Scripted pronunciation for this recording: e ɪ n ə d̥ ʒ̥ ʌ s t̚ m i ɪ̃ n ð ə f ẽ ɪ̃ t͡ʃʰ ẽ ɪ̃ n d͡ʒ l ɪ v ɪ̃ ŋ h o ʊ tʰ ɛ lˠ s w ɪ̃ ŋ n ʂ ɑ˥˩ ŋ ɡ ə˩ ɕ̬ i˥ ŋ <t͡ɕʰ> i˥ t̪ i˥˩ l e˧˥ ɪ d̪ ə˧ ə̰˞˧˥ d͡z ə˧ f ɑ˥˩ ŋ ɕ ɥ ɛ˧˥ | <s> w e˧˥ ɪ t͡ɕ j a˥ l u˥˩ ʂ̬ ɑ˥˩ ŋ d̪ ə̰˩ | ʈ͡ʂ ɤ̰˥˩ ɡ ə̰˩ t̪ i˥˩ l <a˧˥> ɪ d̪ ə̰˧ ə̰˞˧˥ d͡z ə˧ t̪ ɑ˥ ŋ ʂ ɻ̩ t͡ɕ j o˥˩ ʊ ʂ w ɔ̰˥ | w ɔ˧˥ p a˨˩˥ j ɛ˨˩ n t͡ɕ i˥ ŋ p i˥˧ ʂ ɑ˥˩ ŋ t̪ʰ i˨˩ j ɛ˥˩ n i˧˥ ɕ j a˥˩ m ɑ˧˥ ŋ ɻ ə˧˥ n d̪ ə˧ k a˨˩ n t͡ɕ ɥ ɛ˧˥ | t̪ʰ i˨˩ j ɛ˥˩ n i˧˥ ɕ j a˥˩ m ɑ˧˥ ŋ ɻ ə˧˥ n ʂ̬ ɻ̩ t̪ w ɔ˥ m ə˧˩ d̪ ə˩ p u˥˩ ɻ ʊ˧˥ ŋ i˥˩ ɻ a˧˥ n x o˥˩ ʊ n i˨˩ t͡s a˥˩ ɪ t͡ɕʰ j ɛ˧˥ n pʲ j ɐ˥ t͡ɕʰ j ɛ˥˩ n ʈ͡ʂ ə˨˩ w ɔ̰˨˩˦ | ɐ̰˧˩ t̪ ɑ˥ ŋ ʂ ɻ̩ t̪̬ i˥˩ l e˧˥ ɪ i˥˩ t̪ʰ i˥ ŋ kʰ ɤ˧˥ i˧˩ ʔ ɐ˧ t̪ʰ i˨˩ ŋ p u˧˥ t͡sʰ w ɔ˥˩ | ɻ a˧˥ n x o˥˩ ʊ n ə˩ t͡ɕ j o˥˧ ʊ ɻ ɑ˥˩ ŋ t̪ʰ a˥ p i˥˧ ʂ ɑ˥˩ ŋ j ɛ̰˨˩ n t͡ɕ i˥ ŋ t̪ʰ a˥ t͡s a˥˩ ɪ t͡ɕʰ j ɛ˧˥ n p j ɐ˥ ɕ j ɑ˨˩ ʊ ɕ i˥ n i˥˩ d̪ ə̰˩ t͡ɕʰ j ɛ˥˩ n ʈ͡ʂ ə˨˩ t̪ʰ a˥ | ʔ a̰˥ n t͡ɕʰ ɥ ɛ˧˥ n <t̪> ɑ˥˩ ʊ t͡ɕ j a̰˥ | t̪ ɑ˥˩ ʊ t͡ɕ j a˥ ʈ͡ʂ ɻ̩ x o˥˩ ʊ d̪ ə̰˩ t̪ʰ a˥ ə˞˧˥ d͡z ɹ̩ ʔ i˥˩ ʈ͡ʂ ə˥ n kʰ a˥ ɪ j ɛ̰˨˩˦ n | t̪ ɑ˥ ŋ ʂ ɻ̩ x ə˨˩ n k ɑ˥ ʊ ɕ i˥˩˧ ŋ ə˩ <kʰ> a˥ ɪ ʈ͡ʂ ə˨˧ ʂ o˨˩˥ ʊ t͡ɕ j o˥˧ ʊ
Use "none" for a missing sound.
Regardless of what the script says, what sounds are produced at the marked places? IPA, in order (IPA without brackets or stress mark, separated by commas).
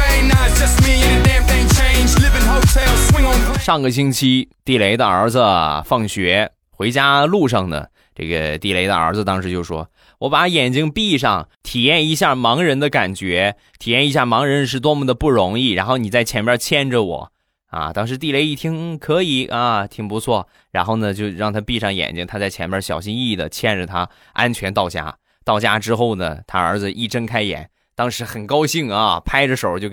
t͡ɕʰ, x, e˧˥, t̪, pʰ